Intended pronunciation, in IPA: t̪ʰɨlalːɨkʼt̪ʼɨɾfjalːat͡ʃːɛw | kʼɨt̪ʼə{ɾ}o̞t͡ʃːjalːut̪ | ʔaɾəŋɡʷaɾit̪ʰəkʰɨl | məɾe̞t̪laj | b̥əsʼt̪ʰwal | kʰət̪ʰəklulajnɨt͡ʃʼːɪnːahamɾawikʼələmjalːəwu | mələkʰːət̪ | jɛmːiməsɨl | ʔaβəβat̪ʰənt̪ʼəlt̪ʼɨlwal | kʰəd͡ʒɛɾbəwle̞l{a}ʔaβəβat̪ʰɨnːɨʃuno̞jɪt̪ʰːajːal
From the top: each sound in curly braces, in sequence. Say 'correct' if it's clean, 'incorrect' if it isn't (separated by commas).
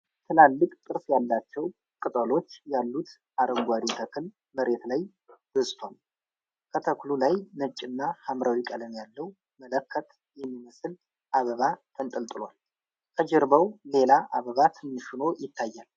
incorrect, correct